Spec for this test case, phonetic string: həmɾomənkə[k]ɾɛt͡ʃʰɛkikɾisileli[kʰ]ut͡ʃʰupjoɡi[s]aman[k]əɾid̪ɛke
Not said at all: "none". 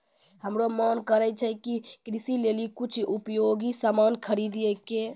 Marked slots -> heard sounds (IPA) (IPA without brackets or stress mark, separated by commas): none, k, s, kʰ